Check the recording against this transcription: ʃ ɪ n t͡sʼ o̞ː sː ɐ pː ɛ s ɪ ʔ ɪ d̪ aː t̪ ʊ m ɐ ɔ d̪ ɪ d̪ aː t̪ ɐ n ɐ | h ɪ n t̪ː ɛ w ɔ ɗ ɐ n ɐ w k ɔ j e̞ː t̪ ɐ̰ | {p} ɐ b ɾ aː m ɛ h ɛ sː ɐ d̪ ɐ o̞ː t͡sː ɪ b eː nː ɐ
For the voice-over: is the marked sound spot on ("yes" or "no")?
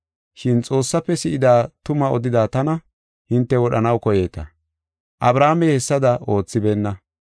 no